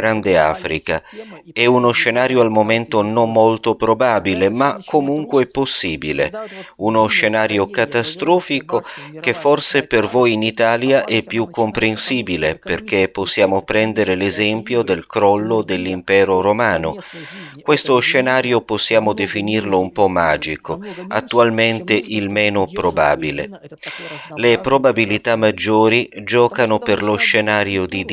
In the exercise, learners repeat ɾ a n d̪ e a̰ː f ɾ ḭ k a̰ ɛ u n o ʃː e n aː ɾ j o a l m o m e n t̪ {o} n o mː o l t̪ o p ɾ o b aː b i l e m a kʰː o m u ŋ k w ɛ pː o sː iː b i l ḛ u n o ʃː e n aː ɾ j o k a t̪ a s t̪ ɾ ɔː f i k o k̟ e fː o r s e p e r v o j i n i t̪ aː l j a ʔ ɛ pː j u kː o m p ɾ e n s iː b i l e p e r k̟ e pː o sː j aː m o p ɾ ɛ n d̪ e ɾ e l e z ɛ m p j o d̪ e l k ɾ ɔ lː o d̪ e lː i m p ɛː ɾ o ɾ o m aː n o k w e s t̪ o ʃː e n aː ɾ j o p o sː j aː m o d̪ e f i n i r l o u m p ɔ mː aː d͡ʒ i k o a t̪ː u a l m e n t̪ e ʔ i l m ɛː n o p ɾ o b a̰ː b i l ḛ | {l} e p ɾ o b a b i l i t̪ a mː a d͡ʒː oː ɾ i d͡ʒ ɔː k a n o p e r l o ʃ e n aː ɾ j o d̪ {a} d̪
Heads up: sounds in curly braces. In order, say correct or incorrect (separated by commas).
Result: correct, correct, incorrect